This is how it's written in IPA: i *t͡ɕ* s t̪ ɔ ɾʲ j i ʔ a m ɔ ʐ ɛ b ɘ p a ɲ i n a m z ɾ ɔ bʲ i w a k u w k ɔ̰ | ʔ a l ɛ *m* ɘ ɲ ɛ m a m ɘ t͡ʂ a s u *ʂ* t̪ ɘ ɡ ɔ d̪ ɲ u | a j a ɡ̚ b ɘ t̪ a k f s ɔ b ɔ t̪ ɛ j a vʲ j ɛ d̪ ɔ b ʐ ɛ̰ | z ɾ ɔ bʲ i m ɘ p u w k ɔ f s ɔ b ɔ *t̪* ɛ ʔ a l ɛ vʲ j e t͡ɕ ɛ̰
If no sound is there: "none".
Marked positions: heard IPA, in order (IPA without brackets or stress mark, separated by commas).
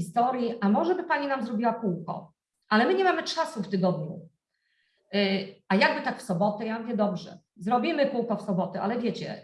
none, m, f, t̪